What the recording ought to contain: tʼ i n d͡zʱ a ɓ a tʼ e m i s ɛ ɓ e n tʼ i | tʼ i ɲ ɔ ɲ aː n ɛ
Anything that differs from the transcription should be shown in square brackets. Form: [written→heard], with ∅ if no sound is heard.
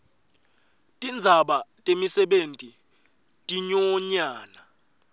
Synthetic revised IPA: tʼ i n d͡zʱ a ɓ a tʼ e m i s ɛ ɓ e n tʼ i | tʼ i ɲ ɔ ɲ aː n [ɛ→a]